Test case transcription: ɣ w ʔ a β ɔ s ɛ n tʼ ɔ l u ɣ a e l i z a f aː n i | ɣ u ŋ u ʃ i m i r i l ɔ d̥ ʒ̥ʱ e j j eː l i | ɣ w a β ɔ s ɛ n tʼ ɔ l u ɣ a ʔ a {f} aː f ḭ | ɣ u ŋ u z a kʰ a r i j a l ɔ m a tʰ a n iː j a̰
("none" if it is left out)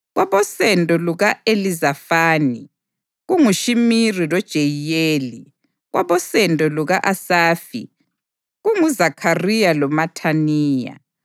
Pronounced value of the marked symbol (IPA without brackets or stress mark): s